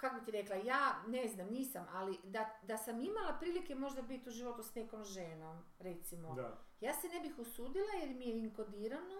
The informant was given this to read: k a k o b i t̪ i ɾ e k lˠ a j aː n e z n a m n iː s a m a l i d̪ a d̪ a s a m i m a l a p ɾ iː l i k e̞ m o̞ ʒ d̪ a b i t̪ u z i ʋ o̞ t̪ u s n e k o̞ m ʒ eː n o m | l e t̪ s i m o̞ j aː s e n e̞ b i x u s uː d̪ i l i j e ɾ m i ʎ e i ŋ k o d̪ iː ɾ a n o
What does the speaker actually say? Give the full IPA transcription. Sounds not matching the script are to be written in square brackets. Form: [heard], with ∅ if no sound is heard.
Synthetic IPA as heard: k a k o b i t̪ i ɾ e k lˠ a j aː n e z n a m n iː s a m a l i d̪ a d̪ a s a m i m a l a p ɾ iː l i k e̞ m o̞ ʒ d̪ a b i t̪ u [ʒ] i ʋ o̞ t̪ u s n e k o̞ m ʒ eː n o m | [ɾ] e t̪ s i m o̞ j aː s e n e̞ b i x u s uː d̪ i l [a] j e ɾ m i [j] e i ŋ k o d̪ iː ɾ a n o